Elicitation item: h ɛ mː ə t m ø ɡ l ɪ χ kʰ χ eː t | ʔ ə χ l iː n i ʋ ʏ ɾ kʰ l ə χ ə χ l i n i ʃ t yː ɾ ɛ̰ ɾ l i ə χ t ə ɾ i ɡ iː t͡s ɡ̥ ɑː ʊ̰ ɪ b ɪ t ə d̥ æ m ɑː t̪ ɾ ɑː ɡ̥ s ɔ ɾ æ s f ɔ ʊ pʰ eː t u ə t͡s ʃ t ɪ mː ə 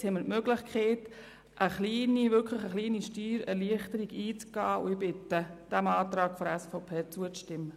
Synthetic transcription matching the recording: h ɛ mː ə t m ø ɡ l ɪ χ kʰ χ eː t | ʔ ə χ l iː n i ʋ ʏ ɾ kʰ l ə χ ə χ l iː n i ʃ t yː ɾ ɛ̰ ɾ l i ə χ t ə ɾ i ɡ iː t͡s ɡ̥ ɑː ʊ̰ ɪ b ɪ t ə d̥ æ m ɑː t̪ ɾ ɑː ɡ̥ f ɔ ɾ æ s f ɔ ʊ pʰ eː t͡s u ə t͡s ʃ t ɪ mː ə